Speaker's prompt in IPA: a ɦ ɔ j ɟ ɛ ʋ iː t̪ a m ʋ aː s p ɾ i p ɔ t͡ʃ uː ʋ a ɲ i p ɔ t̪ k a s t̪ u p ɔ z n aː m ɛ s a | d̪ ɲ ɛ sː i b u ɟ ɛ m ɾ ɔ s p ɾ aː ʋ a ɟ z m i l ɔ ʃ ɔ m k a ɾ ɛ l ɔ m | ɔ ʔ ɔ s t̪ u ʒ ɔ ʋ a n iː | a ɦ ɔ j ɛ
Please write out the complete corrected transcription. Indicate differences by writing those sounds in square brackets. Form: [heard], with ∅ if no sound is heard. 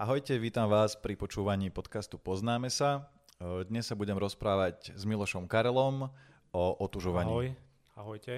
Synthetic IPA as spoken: a ɦ ɔ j [c] ɛ ʋ iː t̪ a m ʋ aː s p ɾ i p ɔ t͡ʃ uː ʋ a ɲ [iː] p ɔ t̪ k a s t̪ u p ɔ z n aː m ɛ s a | d̪ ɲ ɛ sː [a] b u ɟ ɛ m ɾ ɔ s p ɾ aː ʋ a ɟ z m i l ɔ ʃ ɔ m k a ɾ ɛ l ɔ m | ɔ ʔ ɔ [∅] t̪ u ʒ ɔ ʋ a [ɲ] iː | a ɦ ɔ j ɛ